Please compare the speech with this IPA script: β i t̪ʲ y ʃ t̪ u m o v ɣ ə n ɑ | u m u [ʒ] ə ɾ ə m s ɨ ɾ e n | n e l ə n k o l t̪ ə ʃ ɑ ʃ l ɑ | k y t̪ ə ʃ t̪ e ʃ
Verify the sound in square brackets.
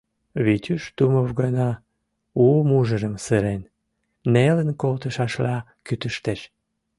correct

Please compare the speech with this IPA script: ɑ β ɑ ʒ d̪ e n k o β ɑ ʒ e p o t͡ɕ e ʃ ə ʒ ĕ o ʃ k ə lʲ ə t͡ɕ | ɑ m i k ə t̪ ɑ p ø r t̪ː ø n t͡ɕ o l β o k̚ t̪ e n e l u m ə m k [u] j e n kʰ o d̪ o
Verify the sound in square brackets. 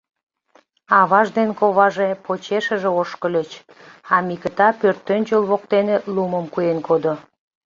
correct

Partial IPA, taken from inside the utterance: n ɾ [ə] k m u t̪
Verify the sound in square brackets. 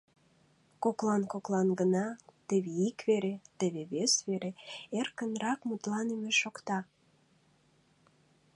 incorrect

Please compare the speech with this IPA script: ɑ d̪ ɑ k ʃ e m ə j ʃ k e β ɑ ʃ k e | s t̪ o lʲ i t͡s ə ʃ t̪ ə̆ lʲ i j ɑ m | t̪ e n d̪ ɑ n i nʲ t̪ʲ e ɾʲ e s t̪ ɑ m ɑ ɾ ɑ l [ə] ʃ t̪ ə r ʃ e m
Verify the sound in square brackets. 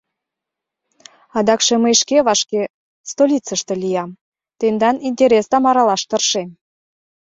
incorrect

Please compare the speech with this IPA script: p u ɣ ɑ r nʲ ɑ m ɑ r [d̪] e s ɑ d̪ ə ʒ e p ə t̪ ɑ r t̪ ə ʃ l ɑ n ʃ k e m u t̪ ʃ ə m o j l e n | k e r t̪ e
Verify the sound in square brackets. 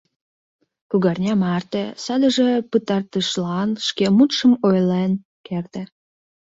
incorrect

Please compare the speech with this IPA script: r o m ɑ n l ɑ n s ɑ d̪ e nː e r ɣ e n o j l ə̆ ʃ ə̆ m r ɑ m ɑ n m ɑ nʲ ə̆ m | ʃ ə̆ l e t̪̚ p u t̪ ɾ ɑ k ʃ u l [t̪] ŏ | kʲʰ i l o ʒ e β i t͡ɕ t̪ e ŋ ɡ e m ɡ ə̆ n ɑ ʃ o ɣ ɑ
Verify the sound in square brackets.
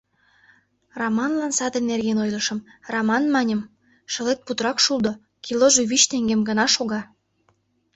incorrect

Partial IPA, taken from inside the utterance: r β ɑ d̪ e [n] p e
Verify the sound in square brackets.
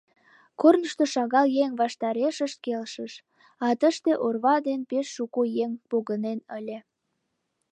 correct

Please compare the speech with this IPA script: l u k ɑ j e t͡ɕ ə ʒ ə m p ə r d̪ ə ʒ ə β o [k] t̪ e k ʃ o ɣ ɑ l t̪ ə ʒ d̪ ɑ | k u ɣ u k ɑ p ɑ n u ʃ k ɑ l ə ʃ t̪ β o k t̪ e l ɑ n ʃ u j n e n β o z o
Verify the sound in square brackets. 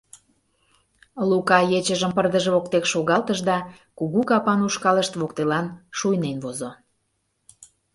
correct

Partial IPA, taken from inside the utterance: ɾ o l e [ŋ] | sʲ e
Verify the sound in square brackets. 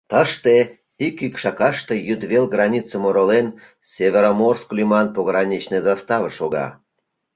incorrect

